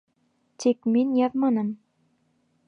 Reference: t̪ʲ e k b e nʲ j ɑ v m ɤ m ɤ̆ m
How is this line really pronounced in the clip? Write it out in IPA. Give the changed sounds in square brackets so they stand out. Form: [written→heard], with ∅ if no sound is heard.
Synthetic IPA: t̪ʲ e k [b→m] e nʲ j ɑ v m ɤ [m→n] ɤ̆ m

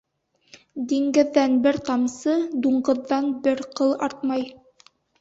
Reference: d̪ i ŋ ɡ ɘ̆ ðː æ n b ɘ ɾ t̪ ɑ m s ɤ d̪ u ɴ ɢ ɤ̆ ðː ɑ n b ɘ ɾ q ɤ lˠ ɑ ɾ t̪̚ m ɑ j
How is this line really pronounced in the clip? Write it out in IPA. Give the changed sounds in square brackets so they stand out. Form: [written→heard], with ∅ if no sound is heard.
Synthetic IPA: d̪ i ŋ ɡ ɘ̆ ðː æ n b ɘ ɾ t̪ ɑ m s ɤ d̪ u ɴ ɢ ɤ̆ ðː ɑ n b ɘ ɾ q ɤ lˠ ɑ ɾ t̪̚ m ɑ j

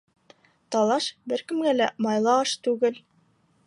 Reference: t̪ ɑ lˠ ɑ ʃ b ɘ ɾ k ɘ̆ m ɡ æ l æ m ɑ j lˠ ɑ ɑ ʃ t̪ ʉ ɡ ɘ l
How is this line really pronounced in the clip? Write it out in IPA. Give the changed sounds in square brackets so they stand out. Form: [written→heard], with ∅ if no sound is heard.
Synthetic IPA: t̪ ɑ lˠ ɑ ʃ b ɘ ɾ k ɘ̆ m ɡ æ l æ m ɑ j lˠ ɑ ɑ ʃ t̪ ʉ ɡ ɘ l

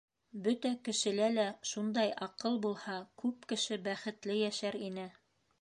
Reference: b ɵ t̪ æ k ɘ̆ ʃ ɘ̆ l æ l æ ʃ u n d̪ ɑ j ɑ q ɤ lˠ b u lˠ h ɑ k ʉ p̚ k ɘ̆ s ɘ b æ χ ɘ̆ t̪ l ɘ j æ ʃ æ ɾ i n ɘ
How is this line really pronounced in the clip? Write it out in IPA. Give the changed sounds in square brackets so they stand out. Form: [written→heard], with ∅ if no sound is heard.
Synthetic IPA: b ɵ t̪ æ k ɘ̆ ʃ ɘ̆ l æ l æ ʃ u n d̪ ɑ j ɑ q ɤ lˠ b u lˠ h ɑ k ʉ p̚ k ɘ̆ [s→ʃ] ɘ b æ χ ɘ̆ t̪ l ɘ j æ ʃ æ ɾ i n ɘ

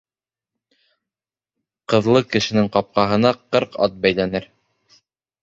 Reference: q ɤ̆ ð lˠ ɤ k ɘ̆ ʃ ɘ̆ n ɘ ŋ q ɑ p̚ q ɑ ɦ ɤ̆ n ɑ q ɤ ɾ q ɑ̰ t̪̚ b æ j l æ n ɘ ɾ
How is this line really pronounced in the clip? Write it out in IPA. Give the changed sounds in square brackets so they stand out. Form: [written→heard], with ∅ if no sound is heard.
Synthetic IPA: q ɤ̆ ð lˠ ɤ k ɘ̆ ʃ ɘ̆ n ɘ ŋ q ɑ p̚ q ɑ ɦ ɤ̆ n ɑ q ɤ ɾ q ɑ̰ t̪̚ b æ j l æ n ɘ ɾ

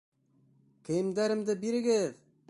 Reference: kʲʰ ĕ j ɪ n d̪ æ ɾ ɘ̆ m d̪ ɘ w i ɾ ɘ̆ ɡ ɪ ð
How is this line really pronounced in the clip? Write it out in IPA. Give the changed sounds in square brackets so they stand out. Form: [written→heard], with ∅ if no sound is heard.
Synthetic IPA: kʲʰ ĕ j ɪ [n→m] d̪ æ ɾ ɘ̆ m d̪ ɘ [w→b] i ɾ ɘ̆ ɡ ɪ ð

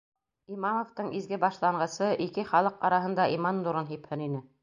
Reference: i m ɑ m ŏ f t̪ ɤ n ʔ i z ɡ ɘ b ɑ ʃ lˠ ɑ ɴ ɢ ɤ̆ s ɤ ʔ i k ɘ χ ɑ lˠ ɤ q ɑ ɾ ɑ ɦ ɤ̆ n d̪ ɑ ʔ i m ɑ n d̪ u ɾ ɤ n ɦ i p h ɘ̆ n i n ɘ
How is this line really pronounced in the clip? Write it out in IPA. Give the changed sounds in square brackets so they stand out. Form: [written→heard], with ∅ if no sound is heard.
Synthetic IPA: i m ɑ m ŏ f t̪ ɤ [n→ɴ] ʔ i z ɡ ɘ b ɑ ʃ lˠ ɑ ɴ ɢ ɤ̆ s ɤ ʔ i k ɘ χ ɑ lˠ ɤ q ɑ ɾ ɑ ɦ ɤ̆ n d̪ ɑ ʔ i m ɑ n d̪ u ɾ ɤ n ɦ i p h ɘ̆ n i n ɘ

